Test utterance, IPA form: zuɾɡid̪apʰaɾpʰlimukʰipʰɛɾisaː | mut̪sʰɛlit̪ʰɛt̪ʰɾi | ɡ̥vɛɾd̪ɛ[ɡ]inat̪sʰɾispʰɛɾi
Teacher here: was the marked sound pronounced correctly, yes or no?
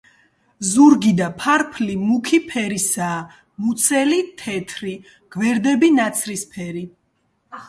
no